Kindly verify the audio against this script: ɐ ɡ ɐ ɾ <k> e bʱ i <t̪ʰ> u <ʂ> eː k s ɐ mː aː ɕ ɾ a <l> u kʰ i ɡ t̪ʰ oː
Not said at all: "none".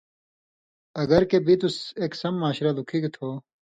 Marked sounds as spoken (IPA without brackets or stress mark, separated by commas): k, t̪, s, l